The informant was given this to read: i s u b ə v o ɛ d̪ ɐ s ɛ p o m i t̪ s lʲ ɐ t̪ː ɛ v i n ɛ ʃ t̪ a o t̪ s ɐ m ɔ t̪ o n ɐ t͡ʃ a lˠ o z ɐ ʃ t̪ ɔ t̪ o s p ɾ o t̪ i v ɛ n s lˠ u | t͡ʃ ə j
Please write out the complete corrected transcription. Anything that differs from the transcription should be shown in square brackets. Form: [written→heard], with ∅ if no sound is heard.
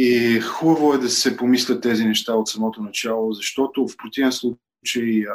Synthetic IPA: i [s→x] u b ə v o ɛ d̪ ɐ s ɛ p o m i [t̪→∅] s lʲ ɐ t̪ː ɛ [v→z] i n ɛ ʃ t̪ a o t̪ s ɐ m ɔ t̪ o n ɐ t͡ʃ a lˠ o z ɐ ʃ t̪ ɔ t̪ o [s→f] p ɾ o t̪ i v ɛ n s lˠ u | t͡ʃ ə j